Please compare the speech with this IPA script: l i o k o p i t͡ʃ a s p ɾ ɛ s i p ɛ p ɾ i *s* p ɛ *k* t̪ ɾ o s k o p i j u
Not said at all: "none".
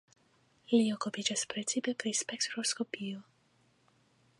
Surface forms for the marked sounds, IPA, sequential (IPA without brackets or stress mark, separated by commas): s, k